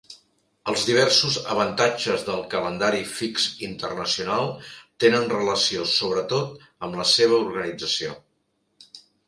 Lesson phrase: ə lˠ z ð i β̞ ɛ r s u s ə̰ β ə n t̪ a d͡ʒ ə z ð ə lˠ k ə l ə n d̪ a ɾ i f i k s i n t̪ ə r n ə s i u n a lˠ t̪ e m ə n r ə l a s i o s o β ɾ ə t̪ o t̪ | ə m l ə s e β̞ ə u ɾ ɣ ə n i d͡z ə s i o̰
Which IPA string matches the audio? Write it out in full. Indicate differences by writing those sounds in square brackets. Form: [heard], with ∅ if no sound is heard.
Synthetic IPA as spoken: ə lˠ z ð i β̞ ɛ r s u [z] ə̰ β ə n t̪ a d͡ʒ ə z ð ə lˠ k ə l ə n d̪ a ɾ i f i k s i n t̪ ə r n ə s i u n a lˠ t̪ e [n] ə n r ə l [ə] s i o s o β ɾ ə t̪ o t̪ | ə m l ə s e β̞ ə u ɾ ɣ ə n i d͡z ə s i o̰